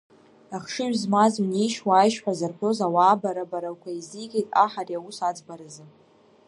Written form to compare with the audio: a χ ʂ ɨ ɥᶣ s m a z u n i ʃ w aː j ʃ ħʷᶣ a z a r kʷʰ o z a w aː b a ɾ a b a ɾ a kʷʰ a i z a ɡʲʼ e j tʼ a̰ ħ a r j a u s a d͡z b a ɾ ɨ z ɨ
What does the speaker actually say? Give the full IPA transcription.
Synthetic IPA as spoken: a χ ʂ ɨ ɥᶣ z m a z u n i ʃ w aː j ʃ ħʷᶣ a z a r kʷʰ o z a w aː b a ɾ a b a ɾ a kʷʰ a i z i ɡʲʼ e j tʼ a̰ ħ a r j a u s a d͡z b a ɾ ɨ z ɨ